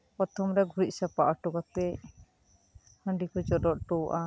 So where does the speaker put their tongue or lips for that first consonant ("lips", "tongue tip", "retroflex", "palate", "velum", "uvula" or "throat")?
lips